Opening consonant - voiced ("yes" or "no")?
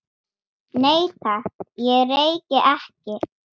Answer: yes